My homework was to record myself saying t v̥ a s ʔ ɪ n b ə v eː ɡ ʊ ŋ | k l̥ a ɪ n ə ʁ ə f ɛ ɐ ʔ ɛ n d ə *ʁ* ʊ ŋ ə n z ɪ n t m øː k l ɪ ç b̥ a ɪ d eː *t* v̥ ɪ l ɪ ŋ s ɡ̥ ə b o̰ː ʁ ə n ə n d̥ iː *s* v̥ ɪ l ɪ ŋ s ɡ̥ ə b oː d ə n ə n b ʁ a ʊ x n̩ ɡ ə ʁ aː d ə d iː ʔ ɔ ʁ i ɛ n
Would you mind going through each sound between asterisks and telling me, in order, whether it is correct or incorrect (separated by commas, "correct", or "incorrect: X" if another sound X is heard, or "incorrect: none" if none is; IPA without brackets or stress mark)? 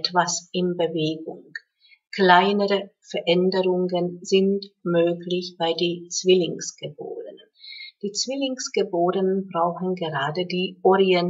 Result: correct, incorrect: t͡s, incorrect: t͡s